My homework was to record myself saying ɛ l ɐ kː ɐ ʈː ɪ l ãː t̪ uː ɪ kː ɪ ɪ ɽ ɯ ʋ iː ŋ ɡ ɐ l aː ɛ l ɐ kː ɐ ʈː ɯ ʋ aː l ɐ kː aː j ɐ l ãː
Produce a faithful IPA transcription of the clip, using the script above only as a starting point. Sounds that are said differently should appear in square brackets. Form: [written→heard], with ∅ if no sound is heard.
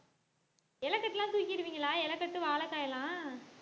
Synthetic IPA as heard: ɛ l ɐ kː ɐ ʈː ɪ l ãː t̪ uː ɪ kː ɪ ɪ [ɽ→ɾ] ɯ ʋ iː ŋ ɡ ɐ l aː ɛ l ɐ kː ɐ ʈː ɯ ʋ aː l ɐ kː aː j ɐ l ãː